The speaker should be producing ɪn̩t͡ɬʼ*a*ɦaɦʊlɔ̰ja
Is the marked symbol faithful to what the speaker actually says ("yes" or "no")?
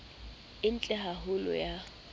no